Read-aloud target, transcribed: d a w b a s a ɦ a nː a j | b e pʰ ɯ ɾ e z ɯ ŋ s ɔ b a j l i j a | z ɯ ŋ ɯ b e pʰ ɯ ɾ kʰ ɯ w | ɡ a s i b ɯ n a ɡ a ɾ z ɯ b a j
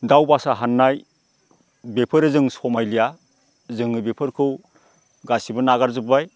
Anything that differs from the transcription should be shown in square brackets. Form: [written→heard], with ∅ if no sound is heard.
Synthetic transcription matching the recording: d a w b a s a ɦ a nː a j | b e pʰ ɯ ɾ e z ɯ ŋ s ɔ [b→m] a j l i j a | z ɯ ŋ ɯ b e pʰ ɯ ɾ kʰ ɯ w | ɡ a s i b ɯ n a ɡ a ɾ z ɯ b a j